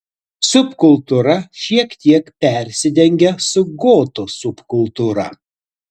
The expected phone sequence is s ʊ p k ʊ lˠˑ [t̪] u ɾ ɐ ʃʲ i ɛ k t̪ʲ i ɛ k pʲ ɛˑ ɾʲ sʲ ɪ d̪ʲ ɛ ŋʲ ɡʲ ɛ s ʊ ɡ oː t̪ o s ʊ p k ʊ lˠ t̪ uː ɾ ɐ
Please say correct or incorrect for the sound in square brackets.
correct